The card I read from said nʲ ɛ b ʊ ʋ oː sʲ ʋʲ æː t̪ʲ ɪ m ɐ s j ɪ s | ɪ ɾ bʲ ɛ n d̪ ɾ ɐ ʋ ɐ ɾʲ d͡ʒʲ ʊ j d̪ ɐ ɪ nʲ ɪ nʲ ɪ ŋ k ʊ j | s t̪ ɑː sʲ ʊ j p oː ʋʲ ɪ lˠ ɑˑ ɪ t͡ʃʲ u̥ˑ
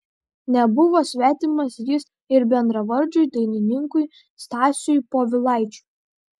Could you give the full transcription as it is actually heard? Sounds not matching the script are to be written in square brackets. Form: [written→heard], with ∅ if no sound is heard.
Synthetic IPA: nʲ ɛ b ʊ ʋ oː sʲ ʋʲ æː t̪ʲ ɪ m ɐ s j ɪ s | ɪ ɾ bʲ ɛ n d̪ ɾ ɐ ʋ ɐ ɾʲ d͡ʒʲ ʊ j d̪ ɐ ɪ nʲ ɪ nʲ ɪ ŋ k ʊ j | s t̪ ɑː sʲ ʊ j p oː ʋʲ ɪ lˠ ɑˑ ɪ t͡ʃʲ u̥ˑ